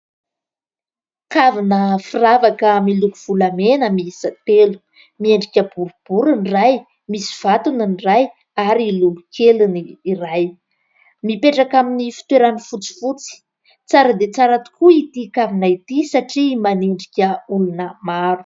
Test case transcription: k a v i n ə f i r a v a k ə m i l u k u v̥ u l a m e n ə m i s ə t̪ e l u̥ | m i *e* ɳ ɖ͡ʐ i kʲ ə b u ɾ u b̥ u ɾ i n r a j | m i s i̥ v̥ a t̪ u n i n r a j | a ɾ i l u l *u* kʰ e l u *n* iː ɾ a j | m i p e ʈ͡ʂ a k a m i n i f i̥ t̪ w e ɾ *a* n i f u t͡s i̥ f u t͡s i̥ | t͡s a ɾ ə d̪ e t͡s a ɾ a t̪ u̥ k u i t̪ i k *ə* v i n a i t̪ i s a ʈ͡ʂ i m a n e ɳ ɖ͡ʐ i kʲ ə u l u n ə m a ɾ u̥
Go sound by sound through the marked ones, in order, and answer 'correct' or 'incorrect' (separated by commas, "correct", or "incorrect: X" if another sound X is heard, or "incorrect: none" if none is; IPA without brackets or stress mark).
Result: correct, correct, correct, correct, incorrect: a